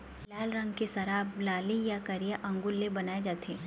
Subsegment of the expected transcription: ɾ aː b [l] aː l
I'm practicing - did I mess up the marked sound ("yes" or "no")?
no